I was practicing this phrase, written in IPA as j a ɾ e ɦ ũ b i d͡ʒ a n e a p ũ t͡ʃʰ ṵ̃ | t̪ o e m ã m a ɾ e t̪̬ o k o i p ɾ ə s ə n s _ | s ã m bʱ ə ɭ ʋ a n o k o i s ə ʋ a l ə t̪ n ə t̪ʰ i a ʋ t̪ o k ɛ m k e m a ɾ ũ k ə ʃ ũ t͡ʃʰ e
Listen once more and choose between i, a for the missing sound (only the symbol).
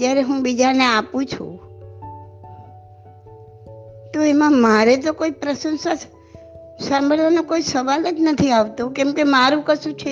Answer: a